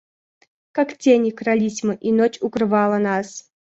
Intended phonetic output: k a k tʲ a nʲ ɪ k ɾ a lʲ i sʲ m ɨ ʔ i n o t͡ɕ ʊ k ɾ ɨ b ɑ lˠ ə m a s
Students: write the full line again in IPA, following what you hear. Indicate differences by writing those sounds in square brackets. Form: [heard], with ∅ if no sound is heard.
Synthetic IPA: k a k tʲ [e] nʲ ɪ k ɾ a lʲ i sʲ m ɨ ʔ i n o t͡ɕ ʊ k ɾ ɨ [v] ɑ lˠ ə [n] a s